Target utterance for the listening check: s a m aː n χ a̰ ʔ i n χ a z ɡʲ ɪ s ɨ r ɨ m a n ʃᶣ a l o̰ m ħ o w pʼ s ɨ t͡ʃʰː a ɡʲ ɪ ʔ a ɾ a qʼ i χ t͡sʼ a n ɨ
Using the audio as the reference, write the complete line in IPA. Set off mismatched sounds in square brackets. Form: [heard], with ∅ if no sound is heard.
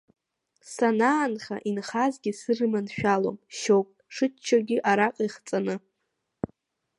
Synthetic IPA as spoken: s a [n] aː n χ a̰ ʔ i n χ a z ɡʲ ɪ s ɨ r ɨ m a n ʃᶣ a l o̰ m [ʃ] o w pʼ [ʂ] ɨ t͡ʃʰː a ɡʲ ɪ ʔ a ɾ a qʼ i χ t͡sʼ a n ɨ